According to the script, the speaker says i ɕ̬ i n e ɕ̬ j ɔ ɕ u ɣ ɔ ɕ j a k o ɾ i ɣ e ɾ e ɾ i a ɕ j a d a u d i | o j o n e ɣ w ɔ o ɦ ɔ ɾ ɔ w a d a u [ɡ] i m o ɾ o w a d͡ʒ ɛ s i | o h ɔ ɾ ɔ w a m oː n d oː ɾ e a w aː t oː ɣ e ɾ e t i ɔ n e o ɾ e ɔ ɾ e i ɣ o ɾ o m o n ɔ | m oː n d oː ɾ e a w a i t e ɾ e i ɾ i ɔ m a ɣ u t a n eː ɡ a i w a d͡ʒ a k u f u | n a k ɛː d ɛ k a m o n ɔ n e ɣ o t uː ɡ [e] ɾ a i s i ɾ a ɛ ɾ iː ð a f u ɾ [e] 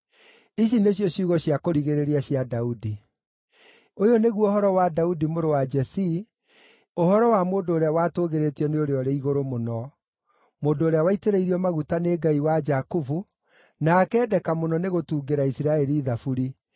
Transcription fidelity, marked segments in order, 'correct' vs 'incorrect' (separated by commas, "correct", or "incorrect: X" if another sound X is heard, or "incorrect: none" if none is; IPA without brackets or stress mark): incorrect: d, correct, incorrect: i